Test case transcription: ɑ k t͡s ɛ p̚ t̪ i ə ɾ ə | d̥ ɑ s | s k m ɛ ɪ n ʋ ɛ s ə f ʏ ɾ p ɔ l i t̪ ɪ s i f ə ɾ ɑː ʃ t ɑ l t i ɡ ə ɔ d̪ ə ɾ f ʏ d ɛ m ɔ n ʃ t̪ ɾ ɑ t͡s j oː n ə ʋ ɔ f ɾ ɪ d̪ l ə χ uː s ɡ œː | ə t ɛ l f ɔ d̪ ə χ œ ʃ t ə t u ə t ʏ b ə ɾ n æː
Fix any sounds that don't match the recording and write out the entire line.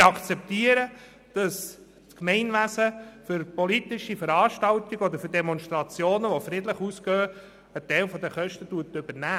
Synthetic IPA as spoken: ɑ k t͡s ɛ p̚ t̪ i ə ɾ ə | d̥ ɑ s | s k m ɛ ɪ n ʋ æ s ə f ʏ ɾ p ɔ l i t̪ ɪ ʃ i f ə ɾ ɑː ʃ t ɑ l t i ɡ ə ɔ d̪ ə ɾ f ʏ d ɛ m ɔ n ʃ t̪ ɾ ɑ t͡s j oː n ə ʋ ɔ f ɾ ɪ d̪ l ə χ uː s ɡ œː | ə t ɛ l f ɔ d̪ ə χ œ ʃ t ə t u ə t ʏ b ə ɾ n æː